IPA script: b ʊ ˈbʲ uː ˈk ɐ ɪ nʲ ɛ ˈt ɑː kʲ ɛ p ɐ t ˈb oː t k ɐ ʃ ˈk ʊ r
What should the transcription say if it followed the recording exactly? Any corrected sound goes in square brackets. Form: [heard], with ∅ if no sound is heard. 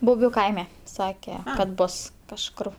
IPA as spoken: b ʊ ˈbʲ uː ˈk ɐ ɪ [mʲ] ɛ [ˈs] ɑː kʲ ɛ [k] ɐ t ˈb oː [s] k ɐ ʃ ˈk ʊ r